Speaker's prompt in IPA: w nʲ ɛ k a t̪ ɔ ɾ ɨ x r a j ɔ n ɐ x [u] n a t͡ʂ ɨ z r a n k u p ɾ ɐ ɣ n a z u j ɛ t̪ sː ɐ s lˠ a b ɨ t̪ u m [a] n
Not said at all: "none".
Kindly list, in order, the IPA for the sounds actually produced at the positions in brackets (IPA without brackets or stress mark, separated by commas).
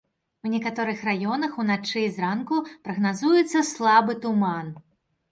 u, a